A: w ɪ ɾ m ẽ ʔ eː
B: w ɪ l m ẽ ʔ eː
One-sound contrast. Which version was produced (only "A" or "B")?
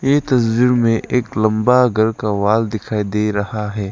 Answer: A